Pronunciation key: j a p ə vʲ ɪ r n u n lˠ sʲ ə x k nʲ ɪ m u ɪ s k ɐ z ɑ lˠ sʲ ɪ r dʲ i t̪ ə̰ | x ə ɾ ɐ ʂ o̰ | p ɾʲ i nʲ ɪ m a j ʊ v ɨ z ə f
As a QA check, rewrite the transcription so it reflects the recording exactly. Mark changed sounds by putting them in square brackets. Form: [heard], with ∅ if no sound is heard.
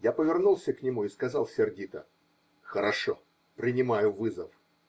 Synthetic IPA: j a p ə vʲ ɪ r n u [∅] lˠ sʲ ə [∅] k nʲ ɪ m u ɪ s k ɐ z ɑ lˠ sʲ ɪ r dʲ i t̪ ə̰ | x ə ɾ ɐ ʂ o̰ | p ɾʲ [ɪ] nʲ ɪ m a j ʊ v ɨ z ə f